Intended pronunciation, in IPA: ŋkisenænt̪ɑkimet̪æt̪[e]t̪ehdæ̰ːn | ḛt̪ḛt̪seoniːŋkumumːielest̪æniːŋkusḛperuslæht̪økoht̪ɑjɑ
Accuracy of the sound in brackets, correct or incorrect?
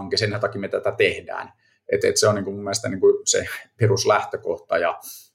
incorrect